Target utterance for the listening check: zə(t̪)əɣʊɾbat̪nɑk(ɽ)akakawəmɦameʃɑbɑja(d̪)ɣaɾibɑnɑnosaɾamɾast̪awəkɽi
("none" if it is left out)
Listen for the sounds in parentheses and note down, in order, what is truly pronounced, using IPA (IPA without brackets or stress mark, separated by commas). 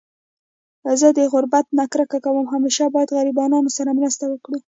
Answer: d̪, ɾ, d̪